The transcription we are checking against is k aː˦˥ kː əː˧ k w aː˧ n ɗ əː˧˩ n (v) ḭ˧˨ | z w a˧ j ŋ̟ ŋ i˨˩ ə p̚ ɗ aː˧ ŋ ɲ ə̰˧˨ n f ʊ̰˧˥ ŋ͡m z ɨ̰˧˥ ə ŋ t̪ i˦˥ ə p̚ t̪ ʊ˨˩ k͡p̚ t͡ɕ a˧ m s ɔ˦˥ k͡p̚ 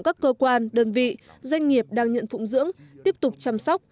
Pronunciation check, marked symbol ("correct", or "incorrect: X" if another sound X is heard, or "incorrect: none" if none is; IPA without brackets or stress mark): correct